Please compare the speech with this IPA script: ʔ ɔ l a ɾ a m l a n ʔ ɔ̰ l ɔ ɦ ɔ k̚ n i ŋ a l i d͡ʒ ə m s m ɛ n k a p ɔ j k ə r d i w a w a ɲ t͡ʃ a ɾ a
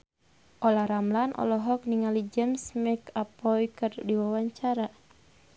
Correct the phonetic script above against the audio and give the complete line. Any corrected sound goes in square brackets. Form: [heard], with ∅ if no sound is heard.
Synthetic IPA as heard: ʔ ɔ l a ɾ a m l a n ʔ ɔ̰ l ɔ ɦ ɔ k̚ n i ŋ a l i d͡ʒ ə m s m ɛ [∅] k a p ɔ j k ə r d i w a w a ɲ t͡ʃ a ɾ a